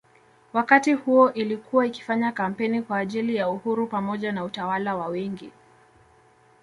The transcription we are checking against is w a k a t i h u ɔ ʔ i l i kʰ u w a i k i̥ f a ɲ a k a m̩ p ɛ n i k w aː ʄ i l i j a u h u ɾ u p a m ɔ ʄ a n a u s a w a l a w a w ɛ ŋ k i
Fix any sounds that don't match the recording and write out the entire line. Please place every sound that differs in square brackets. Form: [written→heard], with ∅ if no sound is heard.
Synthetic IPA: w a k a t i h u ɔ ʔ i l i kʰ u w a i k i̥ f a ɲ a k a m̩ p ɛ n i k w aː ʄ i l i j a u h u ɾ u p a m ɔ ʄ a n a u [s→t] a w a l a w a w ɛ ŋ [k→ɡ] i